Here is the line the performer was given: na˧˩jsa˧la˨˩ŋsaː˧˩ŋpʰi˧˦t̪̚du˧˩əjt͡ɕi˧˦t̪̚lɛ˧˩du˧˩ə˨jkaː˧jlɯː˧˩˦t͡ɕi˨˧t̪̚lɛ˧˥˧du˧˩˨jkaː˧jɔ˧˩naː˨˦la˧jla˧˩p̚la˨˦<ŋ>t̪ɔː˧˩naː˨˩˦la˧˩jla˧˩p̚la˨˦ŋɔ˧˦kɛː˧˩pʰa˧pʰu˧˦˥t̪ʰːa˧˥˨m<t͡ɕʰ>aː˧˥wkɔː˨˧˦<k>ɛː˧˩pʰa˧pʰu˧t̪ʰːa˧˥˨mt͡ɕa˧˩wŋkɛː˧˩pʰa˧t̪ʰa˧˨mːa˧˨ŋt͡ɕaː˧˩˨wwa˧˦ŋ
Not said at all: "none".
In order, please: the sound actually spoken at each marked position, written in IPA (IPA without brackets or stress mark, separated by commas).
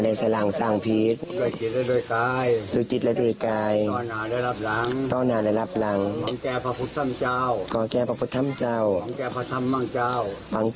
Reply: ŋ, t͡ɕ, k